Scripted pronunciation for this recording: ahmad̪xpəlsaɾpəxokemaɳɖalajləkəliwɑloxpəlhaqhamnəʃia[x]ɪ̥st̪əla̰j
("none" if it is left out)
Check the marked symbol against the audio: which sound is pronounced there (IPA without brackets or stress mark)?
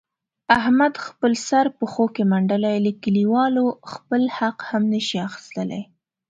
x